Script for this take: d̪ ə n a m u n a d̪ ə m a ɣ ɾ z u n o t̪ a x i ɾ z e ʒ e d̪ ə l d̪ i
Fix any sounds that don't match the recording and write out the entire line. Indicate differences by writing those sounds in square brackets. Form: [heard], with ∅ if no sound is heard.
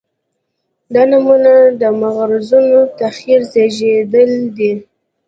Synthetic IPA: d̪ [ɑ] n a m u n a d̪ ə m a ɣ ɾ z u n o t̪ a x i ɾ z e ʒ e d̪ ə l d̪ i